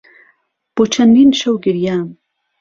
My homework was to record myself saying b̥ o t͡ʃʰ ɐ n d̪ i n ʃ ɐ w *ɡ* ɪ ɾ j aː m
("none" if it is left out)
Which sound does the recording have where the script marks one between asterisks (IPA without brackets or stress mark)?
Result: ɡ